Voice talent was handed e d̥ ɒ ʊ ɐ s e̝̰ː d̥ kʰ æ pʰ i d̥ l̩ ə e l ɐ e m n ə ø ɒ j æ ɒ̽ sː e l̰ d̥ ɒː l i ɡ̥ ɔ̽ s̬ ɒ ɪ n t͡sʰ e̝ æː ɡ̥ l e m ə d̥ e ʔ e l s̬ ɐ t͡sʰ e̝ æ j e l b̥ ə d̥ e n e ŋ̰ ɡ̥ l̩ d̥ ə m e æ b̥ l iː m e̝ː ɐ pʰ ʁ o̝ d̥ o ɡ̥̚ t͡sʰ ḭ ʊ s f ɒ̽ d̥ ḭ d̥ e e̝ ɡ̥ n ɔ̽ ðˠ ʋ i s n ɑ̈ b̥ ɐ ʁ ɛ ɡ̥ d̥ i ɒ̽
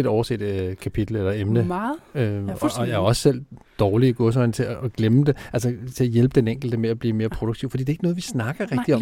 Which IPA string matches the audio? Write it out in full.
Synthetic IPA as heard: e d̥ ɒ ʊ ɐ s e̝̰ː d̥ kʰ æ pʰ i d̥ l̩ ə e l ɐ e m n ə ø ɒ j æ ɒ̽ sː e l̰ d̥ ɒː l i ɡ̥ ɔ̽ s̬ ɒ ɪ n t͡sʰ e̝ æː ɡ̥ l e m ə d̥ e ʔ æ l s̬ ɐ t͡sʰ e̝ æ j e l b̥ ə d̥ e n e ŋ̰ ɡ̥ l̩ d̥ ə m e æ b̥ l iː m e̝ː ɐ pʰ ʁ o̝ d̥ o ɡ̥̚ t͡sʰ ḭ ʊ f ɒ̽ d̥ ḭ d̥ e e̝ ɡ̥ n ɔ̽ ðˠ ʋ i s n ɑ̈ ɡ̥ ɐ ʁ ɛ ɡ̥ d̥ i ɒ̽